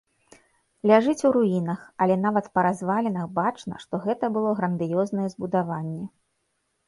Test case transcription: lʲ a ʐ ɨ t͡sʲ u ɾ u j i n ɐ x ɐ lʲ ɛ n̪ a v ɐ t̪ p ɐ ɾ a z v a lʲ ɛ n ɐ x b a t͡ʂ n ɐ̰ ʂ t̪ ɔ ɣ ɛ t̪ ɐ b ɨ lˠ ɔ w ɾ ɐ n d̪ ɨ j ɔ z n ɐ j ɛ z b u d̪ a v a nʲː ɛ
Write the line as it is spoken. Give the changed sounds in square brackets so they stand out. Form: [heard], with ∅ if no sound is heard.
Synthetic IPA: lʲ a ʐ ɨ t͡sʲ u ɾ u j i n ɐ x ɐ lʲ ɛ n̪ a v ɐ t̪ p ɐ ɾ a z v a lʲ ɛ n ɐ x b a t͡ʂ n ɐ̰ ʂ t̪ ɔ ɣ ɛ t̪ ɐ b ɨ lˠ ɔ [ɣ] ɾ ɐ n d̪ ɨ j ɔ z n ɐ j ɛ z b u d̪ a v a nʲː ɛ